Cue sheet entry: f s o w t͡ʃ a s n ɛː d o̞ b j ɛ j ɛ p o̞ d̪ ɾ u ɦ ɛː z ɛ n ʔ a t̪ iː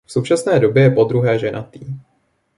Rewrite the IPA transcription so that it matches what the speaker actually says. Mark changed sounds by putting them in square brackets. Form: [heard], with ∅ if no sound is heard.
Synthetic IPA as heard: f s o w t͡ʃ a s n ɛː d o̞ b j ɛ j ɛ p o̞ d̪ ɾ u ɦ ɛː [ʒ] ɛ n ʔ a t̪ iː

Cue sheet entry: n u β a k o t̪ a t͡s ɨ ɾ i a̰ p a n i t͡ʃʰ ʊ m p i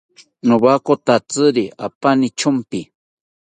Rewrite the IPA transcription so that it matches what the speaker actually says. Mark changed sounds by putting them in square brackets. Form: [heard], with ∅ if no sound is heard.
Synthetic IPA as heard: n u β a k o t̪ a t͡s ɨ ɾ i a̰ p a n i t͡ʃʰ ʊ m p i

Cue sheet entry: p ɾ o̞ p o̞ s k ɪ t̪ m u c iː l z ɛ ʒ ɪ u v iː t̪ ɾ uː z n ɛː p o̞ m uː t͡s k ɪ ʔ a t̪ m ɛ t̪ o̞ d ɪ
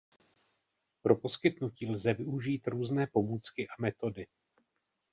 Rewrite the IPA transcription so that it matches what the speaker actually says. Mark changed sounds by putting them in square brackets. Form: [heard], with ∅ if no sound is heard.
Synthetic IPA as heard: p ɾ o̞ p o̞ s k ɪ t̪ [n] u c iː l z ɛ [v] ɪ u [ʒ] iː t̪ ɾ uː z n ɛː p o̞ m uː t͡s k ɪ ʔ a [∅] m ɛ t̪ o̞ d ɪ

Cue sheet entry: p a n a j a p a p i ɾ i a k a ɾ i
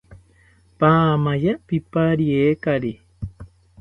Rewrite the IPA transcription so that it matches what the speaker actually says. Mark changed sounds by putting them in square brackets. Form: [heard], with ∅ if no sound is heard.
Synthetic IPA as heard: p a [m] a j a p [i] p [a] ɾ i [e] k a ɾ i

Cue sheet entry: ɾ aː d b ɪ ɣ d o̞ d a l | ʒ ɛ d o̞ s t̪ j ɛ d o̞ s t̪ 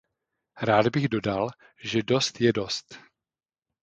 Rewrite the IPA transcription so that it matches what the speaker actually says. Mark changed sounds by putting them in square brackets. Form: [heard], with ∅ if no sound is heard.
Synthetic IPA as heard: ɾ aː d b ɪ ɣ d o̞ d a l | ʒ ɛ d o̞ s t̪ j ɛ d o̞ s t̪

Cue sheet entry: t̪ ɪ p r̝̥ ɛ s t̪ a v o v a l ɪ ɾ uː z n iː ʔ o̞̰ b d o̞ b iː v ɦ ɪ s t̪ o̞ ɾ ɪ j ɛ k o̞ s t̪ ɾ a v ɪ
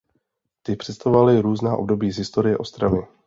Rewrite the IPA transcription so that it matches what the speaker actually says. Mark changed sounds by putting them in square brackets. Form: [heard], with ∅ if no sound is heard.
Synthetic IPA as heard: t̪ ɪ p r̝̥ ɛ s t̪ a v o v a l ɪ ɾ uː z n [aː] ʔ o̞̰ b d o̞ b iː [z] ɦ ɪ s t̪ o̞ ɾ ɪ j ɛ [ʔ] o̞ s t̪ ɾ a v ɪ

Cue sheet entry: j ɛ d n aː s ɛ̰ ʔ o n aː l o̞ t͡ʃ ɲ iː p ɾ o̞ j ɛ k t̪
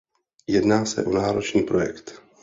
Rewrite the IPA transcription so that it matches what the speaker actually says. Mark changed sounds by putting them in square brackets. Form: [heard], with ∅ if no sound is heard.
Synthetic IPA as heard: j ɛ d n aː s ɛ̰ ʔ o n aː [ɾ] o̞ t͡ʃ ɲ iː p ɾ o̞ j ɛ k t̪

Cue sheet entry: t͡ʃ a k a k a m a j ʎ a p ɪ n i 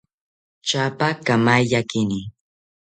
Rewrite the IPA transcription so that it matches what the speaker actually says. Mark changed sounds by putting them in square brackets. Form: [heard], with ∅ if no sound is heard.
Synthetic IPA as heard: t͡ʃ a [p] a k a m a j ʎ a [k] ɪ n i

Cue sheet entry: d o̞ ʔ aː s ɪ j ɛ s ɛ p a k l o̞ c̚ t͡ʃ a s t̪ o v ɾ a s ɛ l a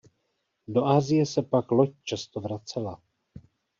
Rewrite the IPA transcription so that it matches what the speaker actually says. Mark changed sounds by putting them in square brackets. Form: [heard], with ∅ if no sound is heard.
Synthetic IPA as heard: d o̞ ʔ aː [z] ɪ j ɛ s ɛ p a k l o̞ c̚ t͡ʃ a s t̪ o v ɾ a [t͡s] ɛ l a

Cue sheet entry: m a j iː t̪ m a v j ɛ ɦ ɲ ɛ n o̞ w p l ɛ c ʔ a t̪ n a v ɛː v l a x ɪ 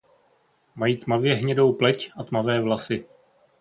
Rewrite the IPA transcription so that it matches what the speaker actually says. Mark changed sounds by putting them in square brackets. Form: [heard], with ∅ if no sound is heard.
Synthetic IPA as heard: m a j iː t̪ m a v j ɛ ɦ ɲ ɛ [d] o̞ w p l ɛ c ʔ a t̪ [m] a v ɛː v l a [s] ɪ

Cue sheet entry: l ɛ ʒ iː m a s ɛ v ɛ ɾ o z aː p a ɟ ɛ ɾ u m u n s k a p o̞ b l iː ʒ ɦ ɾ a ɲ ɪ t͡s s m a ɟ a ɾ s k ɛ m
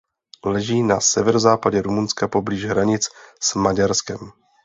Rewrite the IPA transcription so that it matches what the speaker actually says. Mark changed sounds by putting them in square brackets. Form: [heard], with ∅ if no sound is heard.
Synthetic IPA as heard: l ɛ ʒ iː [n] a s ɛ v ɛ ɾ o z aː p a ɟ ɛ ɾ u m u n s k a p o̞ b l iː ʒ ɦ ɾ a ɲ ɪ t͡s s m a ɟ a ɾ s k ɛ m

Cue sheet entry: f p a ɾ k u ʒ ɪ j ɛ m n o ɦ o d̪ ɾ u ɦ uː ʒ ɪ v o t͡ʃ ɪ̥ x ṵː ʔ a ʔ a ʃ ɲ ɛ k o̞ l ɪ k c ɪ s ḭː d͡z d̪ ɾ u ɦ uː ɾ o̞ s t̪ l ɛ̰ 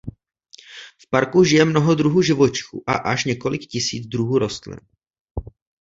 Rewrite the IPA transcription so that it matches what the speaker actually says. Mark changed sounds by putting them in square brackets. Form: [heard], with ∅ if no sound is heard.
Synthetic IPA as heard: f p a ɾ k u ʒ ɪ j ɛ m n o ɦ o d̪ ɾ u ɦ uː ʒ ɪ v o t͡ʃ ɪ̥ x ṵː ʔ a ʔ a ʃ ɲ ɛ k o̞ l ɪ k c ɪ s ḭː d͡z d̪ ɾ u ɦ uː ɾ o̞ s t̪ l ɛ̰

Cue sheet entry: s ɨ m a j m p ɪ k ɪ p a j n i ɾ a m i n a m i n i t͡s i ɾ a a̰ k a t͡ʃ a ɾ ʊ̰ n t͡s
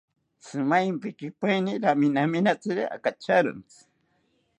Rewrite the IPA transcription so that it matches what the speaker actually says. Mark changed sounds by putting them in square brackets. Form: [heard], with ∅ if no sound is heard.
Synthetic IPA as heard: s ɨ m a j m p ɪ k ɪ p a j n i ɾ a m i n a m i n [a] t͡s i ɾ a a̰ k a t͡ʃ a ɾ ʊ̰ n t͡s

